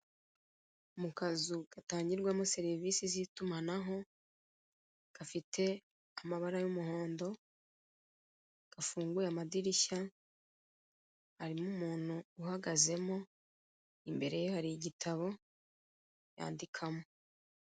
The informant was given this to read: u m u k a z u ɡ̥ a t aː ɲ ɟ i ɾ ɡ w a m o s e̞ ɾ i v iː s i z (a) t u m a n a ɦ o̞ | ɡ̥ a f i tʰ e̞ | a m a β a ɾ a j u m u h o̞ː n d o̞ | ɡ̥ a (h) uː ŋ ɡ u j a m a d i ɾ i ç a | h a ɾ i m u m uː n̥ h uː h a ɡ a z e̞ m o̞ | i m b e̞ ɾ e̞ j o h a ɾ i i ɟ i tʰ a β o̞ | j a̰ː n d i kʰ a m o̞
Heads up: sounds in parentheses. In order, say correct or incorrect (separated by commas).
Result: incorrect, incorrect